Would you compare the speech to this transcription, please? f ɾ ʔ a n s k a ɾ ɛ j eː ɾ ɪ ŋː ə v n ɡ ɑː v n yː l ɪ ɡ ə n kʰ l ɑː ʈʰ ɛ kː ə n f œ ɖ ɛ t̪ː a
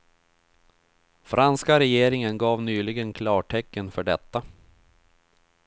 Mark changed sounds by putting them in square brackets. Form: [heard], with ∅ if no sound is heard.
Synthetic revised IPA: f ɾ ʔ a n s k a ɾ ɛ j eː ɾ ɪ [ŋ] ə [∅] n ɡ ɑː v n yː l ɪ ɡ ə n kʰ l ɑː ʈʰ ɛ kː ə n f œ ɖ ɛ t̪ː a